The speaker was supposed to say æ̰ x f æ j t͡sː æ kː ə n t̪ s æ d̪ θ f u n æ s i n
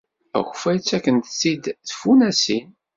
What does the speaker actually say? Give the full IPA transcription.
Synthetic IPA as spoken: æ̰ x f æ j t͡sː æ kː ə n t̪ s i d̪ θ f u n æ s i n